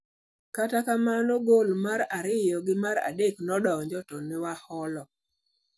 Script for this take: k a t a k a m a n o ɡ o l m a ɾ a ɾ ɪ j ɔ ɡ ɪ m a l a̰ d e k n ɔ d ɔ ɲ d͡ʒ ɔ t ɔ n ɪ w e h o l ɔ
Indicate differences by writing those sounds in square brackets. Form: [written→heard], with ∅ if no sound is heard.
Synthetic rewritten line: k a t a k a m a n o ɡ o l m a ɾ a ɾ ɪ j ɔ ɡ ɪ m a [l→ɾ] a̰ d e k n ɔ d ɔ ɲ d͡ʒ ɔ t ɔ n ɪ w [e→a] h [o→ɔ] l ɔ

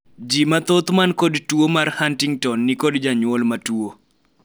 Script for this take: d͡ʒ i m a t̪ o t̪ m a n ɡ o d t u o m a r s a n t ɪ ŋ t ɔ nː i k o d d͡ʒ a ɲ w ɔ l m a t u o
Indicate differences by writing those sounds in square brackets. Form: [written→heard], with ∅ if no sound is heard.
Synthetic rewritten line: d͡ʒ i m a t̪ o t̪ m a n [ɡ→k] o d t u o m a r [s→h] a n t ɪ ŋ t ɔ nː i k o d d͡ʒ a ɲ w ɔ l m a t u o

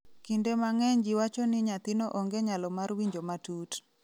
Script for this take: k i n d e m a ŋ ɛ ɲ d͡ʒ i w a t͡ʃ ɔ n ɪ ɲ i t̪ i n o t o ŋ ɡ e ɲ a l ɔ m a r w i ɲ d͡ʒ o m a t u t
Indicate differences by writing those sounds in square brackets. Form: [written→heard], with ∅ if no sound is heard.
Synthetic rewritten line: k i n d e m a ŋ ɛ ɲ d͡ʒ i w a t͡ʃ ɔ n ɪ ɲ [i→a] t̪ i n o [t→ʔ] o ŋ ɡ e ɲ a l ɔ m a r w i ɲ d͡ʒ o m a t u t

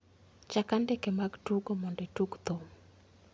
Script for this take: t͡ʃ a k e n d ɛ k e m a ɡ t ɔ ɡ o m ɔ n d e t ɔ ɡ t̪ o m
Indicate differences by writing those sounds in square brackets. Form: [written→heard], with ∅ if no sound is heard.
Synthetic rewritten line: t͡ʃ a k [e→a] n d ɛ k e m a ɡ t [ɔ→u] ɡ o m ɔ n d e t [ɔ→u] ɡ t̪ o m

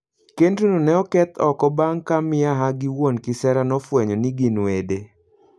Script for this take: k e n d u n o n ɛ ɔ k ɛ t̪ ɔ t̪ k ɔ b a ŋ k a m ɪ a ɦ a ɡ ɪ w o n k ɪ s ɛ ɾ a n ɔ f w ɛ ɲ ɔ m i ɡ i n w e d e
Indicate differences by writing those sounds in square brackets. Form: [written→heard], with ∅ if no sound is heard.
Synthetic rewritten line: k e n d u n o n ɛ ɔ k ɛ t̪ ɔ [t̪→∅] k ɔ b a ŋ k a m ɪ a ɦ a ɡ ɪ w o n k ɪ s ɛ ɾ a n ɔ f w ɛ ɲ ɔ [m→n] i ɡ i n w e d e

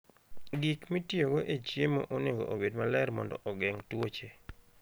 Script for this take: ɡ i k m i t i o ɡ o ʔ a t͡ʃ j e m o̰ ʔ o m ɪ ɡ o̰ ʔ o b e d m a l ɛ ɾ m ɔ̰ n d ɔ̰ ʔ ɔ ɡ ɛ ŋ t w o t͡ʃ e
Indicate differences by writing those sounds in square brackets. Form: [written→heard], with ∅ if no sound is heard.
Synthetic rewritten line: ɡ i k m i t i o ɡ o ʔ [a→e] t͡ʃ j e m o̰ ʔ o [m→n] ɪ ɡ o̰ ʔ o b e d m a l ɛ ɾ m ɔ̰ n d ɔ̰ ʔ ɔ ɡ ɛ ŋ t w o t͡ʃ e

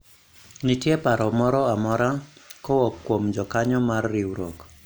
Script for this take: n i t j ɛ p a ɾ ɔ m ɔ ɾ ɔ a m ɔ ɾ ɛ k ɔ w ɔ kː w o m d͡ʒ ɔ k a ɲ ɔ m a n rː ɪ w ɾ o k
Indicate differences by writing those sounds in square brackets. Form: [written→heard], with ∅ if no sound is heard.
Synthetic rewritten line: n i t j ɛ p a ɾ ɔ m ɔ ɾ ɔ a m ɔ ɾ [ɛ→a] k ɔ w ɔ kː w o m d͡ʒ ɔ k a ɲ ɔ m a [n→∅] rː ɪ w ɾ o k

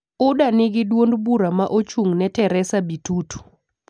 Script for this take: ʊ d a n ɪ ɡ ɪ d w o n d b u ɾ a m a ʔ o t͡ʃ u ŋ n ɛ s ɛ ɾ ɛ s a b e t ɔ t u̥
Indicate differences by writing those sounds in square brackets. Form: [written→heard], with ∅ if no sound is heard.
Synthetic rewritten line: ʊ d a n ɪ ɡ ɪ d w o n d b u ɾ a m a ʔ o t͡ʃ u ŋ n ɛ [s→t] ɛ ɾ ɛ s a b [e→i] t [ɔ→u] t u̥

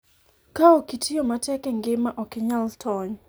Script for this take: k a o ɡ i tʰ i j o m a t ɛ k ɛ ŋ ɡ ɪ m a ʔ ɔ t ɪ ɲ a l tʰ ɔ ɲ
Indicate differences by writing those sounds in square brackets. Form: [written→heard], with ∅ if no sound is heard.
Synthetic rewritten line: k a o [ɡ→k] i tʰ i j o m a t ɛ k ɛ ŋ ɡ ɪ m a ʔ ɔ [t→k] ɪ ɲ a l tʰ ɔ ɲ

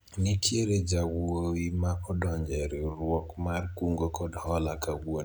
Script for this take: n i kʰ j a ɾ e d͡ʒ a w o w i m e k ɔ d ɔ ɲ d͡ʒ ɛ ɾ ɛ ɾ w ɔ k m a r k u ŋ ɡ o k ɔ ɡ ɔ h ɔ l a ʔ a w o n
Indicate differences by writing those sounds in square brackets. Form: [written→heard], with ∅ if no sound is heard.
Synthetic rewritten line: n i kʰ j [a→e] ɾ e d͡ʒ a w o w i m [e→a] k ɔ d ɔ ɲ d͡ʒ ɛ ɾ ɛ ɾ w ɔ k m a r k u ŋ ɡ o k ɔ [ɡ→d] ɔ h ɔ l a [ʔ→k] a w o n

